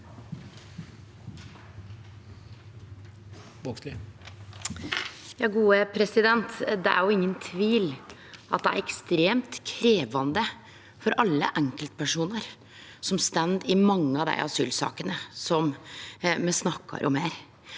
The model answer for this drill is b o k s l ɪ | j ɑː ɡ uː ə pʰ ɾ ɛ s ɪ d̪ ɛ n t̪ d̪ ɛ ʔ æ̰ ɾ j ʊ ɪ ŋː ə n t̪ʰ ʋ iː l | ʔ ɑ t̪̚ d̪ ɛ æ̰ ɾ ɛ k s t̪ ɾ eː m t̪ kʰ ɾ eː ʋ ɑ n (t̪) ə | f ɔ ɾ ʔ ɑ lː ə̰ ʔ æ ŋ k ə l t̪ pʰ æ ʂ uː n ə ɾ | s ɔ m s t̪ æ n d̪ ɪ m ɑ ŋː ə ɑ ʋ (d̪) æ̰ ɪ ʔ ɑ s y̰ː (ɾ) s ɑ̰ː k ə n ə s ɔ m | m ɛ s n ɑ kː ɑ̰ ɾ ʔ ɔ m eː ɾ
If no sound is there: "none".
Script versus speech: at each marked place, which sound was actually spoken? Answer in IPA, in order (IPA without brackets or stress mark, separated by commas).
d̪, d̪, l